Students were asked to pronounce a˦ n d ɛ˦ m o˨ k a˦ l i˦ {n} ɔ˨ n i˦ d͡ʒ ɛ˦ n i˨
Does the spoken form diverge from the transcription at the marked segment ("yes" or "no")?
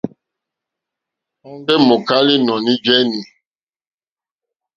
no